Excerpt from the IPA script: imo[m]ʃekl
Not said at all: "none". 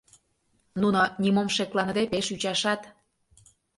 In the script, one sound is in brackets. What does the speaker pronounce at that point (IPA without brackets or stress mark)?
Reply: m